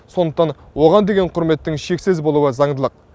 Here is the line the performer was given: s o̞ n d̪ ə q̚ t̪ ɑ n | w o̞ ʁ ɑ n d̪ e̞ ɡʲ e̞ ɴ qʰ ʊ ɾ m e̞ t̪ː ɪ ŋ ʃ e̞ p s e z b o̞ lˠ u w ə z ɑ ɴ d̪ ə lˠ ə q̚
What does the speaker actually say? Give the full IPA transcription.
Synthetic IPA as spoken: s o̞ n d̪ ə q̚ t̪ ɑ n | w o̞ ʁ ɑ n d̪ e̞ ɡʲ e̞ ɴ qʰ ʊ ɾ m e̞ t̪ː ɪ ŋ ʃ e̞ k s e z b o̞ lˠ u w ə z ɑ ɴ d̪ ə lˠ ə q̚

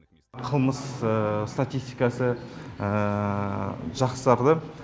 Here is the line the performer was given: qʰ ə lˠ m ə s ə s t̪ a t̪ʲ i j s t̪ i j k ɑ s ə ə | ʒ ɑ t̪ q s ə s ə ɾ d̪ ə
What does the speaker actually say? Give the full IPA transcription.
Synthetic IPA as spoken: qʰ ə lˠ m ə s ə s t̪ a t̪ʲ i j s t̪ i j k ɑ s ə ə | ʒ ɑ q s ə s ɑ ɾ d̪ ə

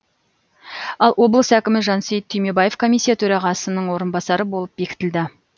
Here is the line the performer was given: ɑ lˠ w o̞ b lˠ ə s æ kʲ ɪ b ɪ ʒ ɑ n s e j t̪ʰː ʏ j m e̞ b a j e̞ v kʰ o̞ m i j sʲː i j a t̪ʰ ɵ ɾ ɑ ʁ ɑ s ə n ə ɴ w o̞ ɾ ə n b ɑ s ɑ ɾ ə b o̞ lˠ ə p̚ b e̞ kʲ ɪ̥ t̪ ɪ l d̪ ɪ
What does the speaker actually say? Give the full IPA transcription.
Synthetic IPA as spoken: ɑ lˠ w o̞ b lˠ ə s æ kʲ ɪ m ɪ ʒ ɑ n s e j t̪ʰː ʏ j m e̞ b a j e̞ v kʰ o̞ m i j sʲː i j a t̪ʰ ɵ ɾ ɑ ʁ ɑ s ə n ə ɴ w o̞ ɾ ə n b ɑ s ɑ ɾ ə b o̞ lˠ ə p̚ b e̞ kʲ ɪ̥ t̪ ɪ l d̪ ɪ

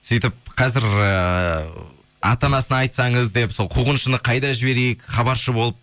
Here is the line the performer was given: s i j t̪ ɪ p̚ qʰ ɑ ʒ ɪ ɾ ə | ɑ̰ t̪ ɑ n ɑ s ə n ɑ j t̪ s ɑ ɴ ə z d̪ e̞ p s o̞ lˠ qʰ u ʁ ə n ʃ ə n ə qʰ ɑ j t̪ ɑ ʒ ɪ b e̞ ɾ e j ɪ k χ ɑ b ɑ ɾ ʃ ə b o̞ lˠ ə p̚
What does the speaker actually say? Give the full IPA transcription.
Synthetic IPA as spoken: s i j t̪ ɪ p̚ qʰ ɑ z ɪ ɾ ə | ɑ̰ t̪ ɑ n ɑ s ə n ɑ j t̪ s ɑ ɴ ə z d̪ e̞ p s o̞ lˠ qʰ u ʁ ə n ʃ ə n ə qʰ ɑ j d̪ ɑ ʒ ɪ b e̞ ɾ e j ɪ k χ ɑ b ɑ ɾ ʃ ə b o̞ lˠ ə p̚

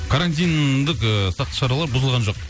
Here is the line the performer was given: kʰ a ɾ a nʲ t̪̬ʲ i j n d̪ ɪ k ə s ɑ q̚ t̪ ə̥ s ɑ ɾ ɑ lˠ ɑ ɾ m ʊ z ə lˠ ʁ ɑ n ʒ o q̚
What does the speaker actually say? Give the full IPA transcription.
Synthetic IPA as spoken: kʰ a ɾ a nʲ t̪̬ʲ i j n d̪ ɪ k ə s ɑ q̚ t̪ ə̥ ʃ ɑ ɾ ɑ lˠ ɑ ɾ b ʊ z ə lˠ ʁ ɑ n ʒ o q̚

